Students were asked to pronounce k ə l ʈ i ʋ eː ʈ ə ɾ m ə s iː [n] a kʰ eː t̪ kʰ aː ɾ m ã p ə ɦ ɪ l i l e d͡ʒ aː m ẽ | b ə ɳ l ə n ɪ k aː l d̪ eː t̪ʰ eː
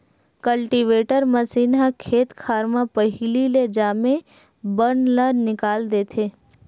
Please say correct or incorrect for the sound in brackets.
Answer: correct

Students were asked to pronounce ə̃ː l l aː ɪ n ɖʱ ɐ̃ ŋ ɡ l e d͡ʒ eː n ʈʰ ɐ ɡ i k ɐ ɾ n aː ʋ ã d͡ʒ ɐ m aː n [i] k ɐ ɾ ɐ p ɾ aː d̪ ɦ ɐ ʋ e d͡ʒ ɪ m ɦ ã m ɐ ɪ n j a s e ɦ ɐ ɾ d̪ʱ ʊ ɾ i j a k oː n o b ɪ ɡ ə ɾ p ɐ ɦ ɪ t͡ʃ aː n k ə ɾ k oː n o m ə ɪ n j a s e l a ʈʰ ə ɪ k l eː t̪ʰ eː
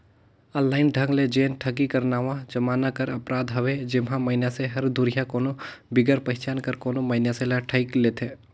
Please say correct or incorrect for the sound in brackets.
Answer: incorrect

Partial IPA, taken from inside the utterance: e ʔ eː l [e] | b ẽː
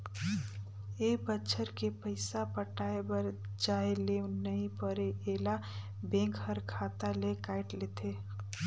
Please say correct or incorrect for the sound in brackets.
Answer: incorrect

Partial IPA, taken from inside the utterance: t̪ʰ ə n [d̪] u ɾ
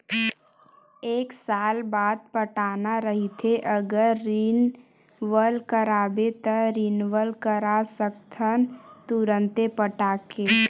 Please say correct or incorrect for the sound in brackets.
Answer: incorrect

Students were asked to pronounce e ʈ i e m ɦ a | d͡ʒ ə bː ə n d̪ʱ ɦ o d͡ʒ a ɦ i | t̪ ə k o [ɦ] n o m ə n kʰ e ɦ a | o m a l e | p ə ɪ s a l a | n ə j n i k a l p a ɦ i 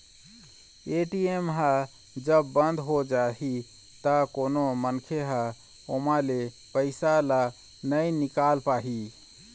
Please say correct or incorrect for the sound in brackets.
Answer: incorrect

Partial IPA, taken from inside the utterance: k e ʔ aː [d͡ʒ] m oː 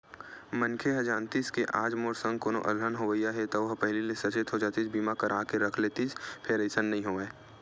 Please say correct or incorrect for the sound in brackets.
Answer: correct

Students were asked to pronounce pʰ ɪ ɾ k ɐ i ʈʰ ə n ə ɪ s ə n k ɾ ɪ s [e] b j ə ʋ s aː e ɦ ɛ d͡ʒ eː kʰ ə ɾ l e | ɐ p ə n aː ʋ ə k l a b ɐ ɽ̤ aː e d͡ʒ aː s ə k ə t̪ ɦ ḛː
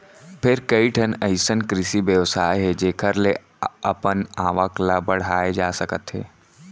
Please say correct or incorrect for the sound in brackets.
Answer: incorrect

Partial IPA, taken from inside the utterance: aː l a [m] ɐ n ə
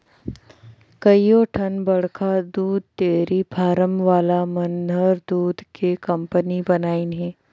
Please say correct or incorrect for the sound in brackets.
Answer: correct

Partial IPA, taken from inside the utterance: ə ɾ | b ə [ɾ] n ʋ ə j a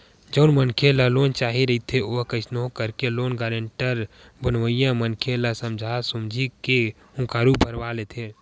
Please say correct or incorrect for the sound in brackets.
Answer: incorrect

